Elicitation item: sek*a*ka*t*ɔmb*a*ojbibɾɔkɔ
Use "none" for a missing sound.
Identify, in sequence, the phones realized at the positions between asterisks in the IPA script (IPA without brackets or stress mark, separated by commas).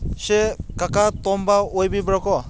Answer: a, t, a